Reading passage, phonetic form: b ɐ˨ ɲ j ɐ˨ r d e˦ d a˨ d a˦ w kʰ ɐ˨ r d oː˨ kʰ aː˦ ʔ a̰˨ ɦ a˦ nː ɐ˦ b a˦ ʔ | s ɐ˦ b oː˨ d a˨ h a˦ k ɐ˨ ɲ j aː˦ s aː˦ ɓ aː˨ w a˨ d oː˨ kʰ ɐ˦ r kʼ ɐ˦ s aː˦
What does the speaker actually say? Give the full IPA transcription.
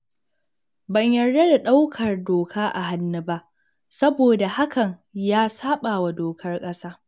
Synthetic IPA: b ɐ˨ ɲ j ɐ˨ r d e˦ d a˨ ɗ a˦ w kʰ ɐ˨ r d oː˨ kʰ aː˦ ʔ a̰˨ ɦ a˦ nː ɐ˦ b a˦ ʔ | s ɐ˦ b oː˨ d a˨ h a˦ k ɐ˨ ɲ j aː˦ s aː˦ ɓ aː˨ w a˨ d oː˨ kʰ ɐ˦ r kʼ ɐ˦ s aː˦